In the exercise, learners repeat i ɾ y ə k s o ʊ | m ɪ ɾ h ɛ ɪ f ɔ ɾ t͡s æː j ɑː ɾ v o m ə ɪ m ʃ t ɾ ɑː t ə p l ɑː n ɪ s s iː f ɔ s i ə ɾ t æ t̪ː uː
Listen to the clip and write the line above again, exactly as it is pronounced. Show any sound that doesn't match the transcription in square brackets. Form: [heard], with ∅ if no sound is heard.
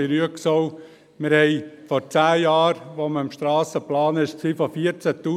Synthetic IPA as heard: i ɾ y ə k s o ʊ | m ɪ ɾ h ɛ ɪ f ɔ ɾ t͡s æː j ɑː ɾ [ʋ] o m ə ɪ m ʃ t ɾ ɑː [s] ə p l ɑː n ɪ [ʃ] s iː f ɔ [f] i ə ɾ [t͡s] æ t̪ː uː